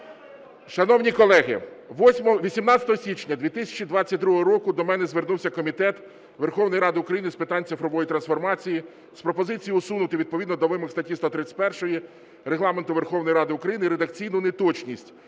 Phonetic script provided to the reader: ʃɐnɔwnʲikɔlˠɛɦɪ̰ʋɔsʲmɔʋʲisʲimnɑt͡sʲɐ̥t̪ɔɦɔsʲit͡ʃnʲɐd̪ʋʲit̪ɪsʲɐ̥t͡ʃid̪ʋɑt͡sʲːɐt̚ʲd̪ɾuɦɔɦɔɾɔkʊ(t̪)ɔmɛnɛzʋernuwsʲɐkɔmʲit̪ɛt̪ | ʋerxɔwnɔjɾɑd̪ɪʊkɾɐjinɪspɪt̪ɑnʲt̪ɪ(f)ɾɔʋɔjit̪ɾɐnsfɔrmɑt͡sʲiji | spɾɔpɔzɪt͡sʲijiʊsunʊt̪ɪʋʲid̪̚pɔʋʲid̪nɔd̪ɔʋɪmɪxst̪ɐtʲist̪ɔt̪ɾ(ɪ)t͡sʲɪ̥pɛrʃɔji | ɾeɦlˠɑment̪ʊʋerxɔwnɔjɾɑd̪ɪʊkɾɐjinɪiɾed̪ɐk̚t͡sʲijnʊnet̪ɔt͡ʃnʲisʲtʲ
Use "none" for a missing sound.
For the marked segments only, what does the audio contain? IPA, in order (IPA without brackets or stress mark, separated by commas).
d̪, f, ɪ